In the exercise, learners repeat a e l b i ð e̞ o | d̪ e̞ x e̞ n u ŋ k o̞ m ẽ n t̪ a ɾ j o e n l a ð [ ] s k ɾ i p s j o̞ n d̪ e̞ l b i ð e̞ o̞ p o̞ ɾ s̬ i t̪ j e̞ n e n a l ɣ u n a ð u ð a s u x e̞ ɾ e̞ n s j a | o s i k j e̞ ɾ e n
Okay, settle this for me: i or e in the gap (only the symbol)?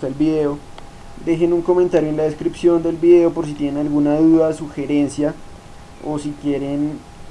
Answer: e